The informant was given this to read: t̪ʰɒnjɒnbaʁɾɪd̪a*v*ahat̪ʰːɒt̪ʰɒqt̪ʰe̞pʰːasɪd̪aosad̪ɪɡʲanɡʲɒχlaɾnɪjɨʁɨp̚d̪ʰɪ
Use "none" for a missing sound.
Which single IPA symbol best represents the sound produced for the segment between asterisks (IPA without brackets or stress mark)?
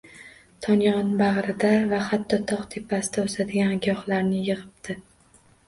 v